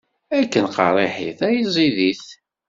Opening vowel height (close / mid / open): open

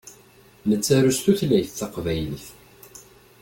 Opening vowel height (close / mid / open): mid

